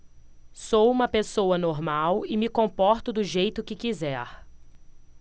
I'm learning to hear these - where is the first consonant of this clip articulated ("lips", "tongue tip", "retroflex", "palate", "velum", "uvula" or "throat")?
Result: tongue tip